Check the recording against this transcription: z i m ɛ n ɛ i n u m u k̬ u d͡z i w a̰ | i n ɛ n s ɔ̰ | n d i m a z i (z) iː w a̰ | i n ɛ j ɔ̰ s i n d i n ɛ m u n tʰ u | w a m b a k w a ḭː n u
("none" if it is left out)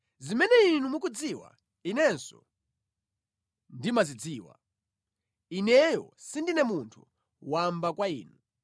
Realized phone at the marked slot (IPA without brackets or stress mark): d͡z